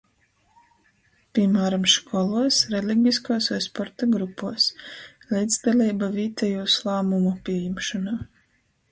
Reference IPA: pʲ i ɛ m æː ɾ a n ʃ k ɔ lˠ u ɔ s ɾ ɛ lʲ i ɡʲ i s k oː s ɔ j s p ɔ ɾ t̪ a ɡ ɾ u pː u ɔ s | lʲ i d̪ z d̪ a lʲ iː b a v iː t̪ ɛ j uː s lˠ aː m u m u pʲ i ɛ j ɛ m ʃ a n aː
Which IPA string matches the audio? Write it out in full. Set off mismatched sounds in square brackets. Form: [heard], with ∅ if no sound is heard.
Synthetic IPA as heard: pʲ i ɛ m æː ɾ a [m] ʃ k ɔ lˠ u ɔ s ɾ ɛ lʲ i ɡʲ i s k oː s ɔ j s p ɔ ɾ t̪ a ɡ ɾ u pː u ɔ s | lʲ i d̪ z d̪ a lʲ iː b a v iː t̪ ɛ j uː s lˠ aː m u m u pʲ i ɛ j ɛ m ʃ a n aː